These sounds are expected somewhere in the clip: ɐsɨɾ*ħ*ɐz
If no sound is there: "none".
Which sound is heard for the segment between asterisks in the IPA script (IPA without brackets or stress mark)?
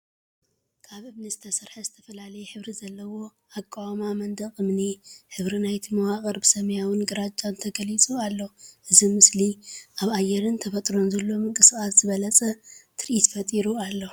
ħ